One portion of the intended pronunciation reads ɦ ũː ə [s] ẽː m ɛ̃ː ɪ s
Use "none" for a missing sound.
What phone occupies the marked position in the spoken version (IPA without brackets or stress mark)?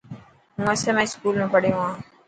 s